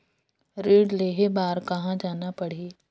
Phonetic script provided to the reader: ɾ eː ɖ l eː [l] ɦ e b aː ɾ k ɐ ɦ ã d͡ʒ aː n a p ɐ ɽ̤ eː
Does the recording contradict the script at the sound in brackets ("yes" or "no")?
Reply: yes